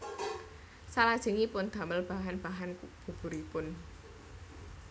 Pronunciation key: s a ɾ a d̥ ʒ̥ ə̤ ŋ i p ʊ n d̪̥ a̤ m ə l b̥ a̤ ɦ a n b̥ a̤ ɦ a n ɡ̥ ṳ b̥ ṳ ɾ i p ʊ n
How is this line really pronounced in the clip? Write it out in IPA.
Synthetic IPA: s a l a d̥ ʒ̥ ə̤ ŋ i p ʊ n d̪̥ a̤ m ə l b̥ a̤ ɦ a n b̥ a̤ ɦ a n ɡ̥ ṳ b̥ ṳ ɾ i p ʊ n